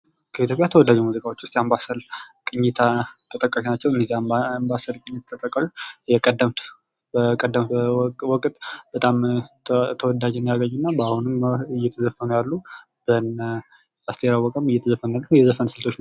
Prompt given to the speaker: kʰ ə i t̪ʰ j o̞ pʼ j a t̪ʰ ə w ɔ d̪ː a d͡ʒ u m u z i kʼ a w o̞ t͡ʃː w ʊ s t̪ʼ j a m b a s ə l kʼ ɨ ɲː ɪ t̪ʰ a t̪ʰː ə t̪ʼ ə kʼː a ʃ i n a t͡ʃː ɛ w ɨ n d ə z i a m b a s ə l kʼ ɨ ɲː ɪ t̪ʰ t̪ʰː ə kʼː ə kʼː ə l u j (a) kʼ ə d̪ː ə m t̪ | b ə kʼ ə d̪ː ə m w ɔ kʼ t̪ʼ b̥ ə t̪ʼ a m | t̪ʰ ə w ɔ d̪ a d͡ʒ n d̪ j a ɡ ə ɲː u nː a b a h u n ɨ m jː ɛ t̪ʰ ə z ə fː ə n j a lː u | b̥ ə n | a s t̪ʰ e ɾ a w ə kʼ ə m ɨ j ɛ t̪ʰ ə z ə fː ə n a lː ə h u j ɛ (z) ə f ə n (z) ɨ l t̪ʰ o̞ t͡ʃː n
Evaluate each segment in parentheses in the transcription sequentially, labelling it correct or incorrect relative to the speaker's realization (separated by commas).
incorrect, correct, incorrect